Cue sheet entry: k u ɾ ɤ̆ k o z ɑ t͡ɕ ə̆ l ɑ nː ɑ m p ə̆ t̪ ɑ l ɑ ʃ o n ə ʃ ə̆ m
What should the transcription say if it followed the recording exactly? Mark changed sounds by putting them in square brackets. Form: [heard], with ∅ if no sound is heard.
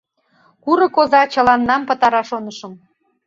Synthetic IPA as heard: k u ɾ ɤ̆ k o z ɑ t͡ɕ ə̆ l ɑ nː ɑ m p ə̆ t̪ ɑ [ɾ] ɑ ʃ o n ə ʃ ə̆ m